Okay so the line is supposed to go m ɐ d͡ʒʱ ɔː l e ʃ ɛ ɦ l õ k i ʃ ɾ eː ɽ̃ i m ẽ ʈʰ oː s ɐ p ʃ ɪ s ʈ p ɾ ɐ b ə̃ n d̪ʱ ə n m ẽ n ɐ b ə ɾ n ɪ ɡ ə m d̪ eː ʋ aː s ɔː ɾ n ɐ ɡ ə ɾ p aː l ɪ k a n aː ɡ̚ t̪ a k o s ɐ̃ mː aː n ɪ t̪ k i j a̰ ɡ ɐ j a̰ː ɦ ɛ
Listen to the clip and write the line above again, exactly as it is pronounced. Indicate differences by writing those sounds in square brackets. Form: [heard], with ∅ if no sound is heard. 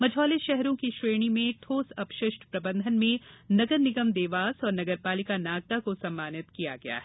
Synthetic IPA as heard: m ɐ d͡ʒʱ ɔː l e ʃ ɛ ɦ [ɾ] õ k i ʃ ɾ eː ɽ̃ i m ẽ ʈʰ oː s ɐ p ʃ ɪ [ʃ] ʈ p ɾ ɐ b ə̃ n d̪ʱ ə n m ẽ n ɐ [ɡ] ə ɾ n ɪ ɡ ə m d̪ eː ʋ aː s ɔː ɾ n ɐ ɡ ə ɾ p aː l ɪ k a n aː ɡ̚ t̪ a k o s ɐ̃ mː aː n ɪ t̪ k i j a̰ ɡ ɐ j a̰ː ɦ ɛ